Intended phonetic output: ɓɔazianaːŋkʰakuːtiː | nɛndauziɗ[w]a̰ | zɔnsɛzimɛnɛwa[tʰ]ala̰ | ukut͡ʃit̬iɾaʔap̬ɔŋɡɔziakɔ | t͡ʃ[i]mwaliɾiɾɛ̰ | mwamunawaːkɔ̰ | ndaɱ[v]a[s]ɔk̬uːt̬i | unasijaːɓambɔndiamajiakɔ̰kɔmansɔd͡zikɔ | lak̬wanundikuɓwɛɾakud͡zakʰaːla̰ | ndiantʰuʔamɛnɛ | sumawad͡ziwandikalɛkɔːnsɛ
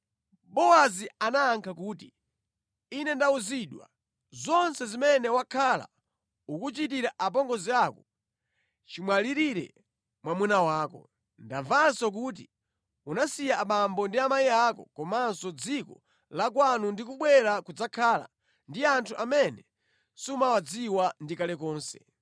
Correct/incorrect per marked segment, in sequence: correct, incorrect, correct, correct, correct

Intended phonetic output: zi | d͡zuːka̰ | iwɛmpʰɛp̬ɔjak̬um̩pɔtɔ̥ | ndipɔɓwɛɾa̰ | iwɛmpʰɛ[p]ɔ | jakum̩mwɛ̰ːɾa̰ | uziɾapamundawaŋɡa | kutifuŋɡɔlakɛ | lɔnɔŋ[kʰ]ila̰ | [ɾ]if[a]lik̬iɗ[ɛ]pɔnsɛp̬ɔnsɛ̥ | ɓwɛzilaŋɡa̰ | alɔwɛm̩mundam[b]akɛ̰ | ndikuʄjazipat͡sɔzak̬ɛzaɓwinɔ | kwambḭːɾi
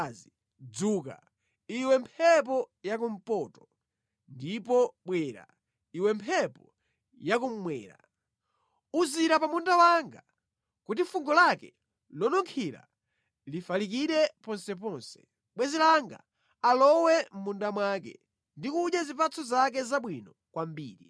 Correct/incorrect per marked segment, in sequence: correct, correct, incorrect, correct, correct, incorrect

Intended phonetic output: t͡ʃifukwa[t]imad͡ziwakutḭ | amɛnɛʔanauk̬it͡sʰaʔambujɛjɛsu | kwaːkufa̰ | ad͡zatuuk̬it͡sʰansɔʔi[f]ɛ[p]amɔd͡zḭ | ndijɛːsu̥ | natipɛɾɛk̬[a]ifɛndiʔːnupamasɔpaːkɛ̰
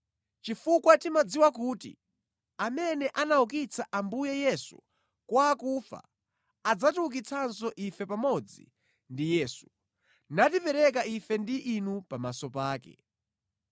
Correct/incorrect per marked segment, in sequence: correct, correct, correct, correct

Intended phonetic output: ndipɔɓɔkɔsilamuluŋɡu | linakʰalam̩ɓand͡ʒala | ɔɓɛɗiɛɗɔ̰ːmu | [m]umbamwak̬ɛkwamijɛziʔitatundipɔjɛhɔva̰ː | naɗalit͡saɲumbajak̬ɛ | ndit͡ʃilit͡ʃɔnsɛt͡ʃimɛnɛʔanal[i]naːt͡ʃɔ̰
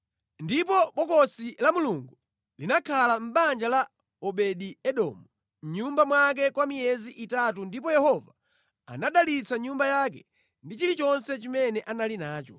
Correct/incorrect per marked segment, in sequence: incorrect, correct

